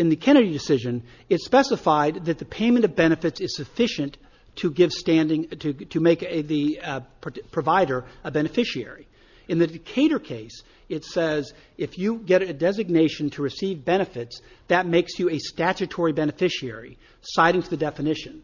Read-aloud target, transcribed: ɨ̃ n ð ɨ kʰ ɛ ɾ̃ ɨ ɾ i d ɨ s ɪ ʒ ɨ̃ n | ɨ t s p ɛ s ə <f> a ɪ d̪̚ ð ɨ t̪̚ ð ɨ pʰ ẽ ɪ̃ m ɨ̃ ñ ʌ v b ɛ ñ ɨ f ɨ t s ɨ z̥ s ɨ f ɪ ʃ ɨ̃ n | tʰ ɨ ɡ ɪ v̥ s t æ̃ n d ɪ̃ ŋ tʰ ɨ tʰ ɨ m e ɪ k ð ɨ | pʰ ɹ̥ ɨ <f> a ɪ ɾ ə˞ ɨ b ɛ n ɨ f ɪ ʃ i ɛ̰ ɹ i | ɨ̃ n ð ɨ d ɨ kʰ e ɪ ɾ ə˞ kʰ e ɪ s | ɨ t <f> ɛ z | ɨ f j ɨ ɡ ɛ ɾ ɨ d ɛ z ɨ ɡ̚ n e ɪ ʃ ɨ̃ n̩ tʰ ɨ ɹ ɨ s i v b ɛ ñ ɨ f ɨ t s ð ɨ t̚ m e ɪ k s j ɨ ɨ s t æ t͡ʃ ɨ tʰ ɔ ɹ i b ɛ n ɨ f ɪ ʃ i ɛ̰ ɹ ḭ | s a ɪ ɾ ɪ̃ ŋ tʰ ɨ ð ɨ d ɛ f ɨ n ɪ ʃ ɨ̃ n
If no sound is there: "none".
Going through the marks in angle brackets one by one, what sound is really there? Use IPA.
f, v, s

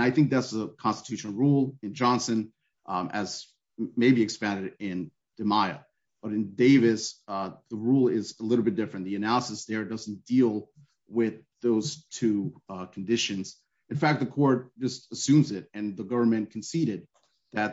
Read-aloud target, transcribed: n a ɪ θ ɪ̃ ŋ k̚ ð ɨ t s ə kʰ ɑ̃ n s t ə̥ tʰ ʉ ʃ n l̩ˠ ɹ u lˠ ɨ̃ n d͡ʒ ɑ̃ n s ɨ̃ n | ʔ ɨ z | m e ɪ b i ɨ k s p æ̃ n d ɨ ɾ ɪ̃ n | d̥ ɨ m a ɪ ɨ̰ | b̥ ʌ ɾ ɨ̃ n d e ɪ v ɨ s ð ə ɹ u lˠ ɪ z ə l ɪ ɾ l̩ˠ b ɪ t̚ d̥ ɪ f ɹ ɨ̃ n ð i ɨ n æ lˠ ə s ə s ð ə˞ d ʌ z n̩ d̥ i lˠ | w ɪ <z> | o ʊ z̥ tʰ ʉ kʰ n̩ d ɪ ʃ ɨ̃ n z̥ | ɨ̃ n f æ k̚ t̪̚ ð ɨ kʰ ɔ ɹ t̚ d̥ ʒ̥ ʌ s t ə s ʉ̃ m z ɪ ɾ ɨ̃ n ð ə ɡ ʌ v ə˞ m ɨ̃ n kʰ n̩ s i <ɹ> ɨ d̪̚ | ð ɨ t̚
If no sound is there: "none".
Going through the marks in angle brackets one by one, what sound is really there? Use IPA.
ð, ɾ

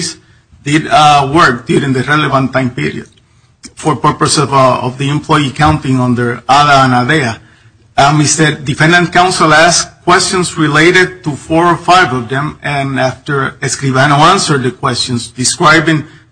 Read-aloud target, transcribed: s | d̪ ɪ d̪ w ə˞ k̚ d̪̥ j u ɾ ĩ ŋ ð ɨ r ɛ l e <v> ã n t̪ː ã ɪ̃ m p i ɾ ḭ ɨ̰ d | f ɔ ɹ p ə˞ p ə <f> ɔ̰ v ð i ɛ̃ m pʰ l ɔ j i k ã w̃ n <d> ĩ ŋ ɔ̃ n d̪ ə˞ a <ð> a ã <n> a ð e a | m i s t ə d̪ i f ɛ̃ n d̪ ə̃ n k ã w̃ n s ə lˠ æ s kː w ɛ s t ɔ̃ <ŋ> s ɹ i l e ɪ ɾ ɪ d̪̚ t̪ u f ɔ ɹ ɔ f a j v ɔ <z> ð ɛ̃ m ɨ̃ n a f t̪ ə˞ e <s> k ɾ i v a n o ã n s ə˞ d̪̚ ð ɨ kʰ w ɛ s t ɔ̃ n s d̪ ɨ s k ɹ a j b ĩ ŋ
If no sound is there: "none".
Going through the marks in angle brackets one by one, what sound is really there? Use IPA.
v, s, t, ð, n, n, v, s

